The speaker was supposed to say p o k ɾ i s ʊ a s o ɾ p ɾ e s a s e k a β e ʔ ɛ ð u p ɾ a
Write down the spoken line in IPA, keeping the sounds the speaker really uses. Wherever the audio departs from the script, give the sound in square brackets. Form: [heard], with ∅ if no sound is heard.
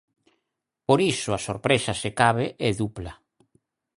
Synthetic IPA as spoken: p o [∅] ɾ i s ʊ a s o ɾ p ɾ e s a s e k a β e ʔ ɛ ð u p [l] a